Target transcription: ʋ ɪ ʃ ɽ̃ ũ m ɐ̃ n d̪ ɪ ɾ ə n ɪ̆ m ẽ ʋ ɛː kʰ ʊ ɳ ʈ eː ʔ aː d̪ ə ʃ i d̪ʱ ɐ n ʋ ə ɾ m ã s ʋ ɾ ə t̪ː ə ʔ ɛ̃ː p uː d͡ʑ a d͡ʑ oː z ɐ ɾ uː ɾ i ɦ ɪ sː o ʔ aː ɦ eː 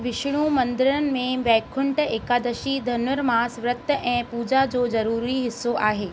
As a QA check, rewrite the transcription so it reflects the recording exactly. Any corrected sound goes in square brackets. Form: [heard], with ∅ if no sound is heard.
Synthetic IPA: ʋ ɪ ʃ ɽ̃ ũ m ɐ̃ n d̪ ɪ ɾ ə n ɪ̆ m ẽ ʋ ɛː kʰ ʊ ɳ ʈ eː [k] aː d̪ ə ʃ i d̪ʱ ɐ n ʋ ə ɾ m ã s ʋ ɾ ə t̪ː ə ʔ ɛ̃ː p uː d͡ʑ a d͡ʑ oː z ɐ ɾ uː ɾ i ɦ ɪ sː o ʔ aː ɦ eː